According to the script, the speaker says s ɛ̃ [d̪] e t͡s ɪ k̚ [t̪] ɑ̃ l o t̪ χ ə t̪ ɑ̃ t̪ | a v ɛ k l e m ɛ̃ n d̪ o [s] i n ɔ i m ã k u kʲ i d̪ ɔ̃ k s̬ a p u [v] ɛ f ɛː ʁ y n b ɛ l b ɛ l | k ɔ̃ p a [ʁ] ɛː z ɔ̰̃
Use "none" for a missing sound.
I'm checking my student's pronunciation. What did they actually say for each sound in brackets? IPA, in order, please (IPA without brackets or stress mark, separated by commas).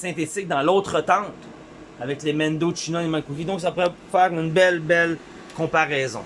t̪, d̪, ʃ, ʁ, ʁ